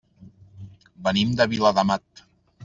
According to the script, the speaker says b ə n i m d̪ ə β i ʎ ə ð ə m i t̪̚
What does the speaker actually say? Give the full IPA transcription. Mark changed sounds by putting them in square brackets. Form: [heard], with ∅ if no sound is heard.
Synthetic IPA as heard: b ə n i m d̪ ə β i [l] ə ð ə m [a] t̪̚